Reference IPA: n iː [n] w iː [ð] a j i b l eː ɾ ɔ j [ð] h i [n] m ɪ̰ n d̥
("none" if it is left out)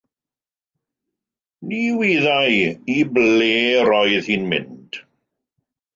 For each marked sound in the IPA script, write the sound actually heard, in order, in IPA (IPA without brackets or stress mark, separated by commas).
none, ð, ð, n